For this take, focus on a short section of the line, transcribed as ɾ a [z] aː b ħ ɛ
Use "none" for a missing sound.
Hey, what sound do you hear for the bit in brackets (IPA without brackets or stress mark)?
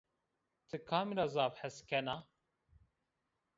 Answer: z